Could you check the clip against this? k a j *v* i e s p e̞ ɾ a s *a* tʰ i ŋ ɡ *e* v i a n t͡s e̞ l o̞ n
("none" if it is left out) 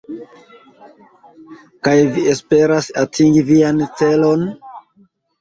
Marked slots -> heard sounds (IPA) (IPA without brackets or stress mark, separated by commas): v, a, i